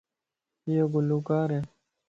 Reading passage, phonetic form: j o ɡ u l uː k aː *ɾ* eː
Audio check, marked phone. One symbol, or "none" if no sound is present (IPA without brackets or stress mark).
ɾ